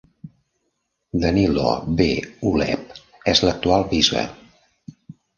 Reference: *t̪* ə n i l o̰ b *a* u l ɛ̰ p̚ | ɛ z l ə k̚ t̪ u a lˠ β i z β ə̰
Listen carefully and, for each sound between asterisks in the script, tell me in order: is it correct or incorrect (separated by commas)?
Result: incorrect, incorrect